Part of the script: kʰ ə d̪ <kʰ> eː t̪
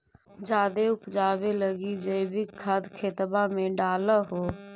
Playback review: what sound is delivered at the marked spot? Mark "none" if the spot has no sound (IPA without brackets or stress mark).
kʰ